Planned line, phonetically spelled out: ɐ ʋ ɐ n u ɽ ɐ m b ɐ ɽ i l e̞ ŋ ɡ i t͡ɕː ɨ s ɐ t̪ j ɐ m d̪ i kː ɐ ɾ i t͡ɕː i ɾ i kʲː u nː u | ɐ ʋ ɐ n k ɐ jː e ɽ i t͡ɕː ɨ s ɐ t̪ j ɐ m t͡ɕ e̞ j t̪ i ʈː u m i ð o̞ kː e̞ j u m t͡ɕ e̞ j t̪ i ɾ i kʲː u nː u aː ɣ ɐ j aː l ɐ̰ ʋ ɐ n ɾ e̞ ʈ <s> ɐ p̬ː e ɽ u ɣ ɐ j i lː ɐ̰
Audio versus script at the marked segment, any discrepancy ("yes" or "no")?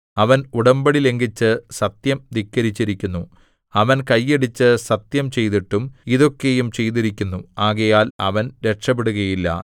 yes